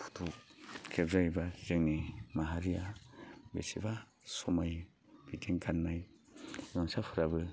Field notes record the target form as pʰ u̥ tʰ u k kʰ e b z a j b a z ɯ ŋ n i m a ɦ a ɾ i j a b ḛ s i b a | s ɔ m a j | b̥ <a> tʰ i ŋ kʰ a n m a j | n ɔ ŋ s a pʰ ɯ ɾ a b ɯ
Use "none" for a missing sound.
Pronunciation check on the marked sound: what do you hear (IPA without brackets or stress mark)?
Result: i